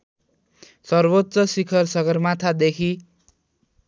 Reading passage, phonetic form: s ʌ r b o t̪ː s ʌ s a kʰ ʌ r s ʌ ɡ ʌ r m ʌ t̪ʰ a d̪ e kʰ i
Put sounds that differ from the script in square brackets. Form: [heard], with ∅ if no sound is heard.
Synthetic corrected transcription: s ʌ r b o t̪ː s ʌ s [i] kʰ ʌ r s ʌ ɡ ʌ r m [a] t̪ʰ a d̪ e kʰ i